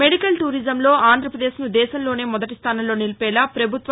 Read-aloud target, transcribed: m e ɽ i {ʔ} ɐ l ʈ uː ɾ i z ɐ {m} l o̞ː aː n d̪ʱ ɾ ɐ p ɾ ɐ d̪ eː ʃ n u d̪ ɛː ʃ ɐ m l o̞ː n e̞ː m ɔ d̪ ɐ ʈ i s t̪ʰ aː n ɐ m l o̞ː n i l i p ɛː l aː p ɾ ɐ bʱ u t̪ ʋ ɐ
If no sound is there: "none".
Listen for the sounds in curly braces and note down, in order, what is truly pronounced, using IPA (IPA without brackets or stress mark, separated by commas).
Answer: k, m